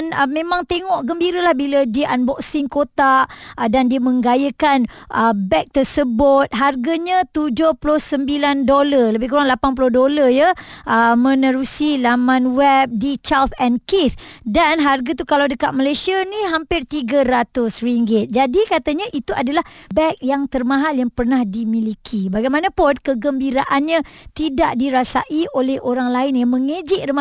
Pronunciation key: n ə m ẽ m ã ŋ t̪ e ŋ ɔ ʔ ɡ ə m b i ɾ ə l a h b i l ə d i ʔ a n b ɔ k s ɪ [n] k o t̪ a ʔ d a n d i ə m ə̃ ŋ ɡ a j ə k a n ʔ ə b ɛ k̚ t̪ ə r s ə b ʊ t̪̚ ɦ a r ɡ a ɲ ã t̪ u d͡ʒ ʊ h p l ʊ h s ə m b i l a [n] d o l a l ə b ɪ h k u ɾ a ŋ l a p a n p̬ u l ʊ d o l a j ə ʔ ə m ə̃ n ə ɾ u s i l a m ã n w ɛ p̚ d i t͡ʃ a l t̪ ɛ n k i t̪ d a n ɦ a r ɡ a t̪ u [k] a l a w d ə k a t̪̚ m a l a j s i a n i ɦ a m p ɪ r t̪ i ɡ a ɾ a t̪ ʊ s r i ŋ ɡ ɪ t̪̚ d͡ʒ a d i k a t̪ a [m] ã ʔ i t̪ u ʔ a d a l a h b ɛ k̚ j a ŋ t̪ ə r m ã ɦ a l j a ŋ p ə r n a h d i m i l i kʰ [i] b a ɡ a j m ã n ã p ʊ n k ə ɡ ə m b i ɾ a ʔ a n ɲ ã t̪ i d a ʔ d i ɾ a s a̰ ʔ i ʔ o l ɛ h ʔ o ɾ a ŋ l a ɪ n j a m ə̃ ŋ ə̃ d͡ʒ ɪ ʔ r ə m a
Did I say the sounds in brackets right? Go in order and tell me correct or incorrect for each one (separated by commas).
incorrect, correct, correct, incorrect, correct